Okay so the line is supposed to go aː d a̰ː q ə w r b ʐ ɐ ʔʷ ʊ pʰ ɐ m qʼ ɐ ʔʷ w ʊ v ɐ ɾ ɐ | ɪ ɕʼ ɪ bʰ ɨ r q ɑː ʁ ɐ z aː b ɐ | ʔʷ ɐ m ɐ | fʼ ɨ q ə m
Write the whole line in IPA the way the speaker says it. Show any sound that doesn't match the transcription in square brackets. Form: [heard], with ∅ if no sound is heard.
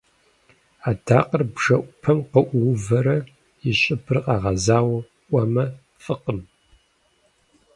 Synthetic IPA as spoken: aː d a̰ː q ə [∅] r b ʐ ɐ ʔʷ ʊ pʰ ɐ m [q] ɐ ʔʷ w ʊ v ɐ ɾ ɐ | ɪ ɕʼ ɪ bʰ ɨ r q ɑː ʁ ɐ z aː [w] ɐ | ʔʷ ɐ m ɐ | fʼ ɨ q ə m